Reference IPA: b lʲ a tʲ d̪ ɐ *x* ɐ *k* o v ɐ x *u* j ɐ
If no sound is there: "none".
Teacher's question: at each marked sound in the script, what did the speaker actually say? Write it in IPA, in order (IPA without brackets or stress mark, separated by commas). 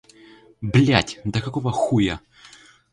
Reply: k, k, u